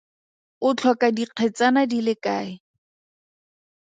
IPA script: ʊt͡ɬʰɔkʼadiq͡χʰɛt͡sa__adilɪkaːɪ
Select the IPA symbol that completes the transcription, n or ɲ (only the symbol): n